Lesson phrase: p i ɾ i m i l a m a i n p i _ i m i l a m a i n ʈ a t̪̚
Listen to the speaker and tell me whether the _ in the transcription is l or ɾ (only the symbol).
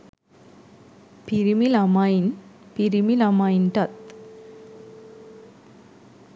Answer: ɾ